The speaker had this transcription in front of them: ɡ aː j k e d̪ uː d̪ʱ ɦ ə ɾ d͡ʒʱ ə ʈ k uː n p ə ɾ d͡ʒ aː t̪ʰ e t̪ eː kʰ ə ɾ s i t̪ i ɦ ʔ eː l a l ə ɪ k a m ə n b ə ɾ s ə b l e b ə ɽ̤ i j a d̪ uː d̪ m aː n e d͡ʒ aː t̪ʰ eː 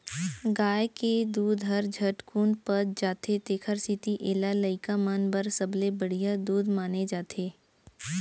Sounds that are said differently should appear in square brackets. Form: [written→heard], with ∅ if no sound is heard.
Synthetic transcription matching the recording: ɡ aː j k e d̪ uː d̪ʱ ɦ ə ɾ d͡ʒʱ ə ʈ k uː n p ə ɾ d͡ʒ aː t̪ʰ e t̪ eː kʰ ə ɾ s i t̪ i [ɦ→∅] ʔ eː l a l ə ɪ k a m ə n b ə ɾ s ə b l e b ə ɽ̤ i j a d̪ uː d̪ m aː n e d͡ʒ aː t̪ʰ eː